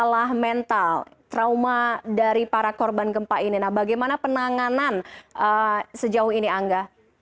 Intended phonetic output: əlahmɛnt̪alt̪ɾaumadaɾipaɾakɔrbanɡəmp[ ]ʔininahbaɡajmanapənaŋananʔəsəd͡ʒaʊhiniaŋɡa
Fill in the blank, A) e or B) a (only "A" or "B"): B